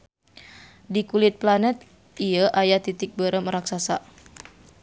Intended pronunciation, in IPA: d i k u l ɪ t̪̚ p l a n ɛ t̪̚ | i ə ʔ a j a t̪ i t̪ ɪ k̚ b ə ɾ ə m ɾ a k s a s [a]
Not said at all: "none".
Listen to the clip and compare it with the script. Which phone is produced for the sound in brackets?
a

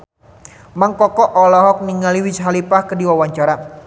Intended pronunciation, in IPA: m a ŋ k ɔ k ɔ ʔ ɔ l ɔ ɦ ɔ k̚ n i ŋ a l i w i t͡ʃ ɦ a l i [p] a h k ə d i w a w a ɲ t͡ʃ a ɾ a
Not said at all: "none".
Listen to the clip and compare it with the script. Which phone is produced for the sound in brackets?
p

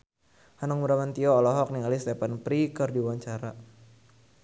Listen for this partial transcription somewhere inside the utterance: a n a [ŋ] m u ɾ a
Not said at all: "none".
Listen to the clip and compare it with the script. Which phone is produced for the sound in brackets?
ŋ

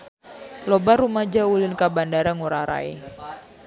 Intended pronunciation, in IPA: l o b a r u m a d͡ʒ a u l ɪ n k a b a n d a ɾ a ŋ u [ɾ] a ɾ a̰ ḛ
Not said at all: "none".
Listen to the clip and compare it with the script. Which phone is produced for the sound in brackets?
ɾ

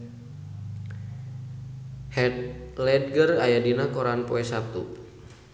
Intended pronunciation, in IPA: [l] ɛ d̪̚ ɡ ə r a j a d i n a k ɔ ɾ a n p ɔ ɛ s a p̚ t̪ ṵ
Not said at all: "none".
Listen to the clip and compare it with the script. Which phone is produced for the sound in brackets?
l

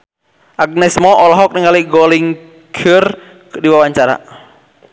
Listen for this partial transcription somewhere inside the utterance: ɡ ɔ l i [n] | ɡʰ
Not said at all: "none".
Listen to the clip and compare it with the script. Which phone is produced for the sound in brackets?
ŋ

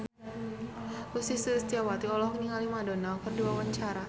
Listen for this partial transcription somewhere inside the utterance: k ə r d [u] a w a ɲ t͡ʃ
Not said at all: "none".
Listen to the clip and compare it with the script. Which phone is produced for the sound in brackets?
u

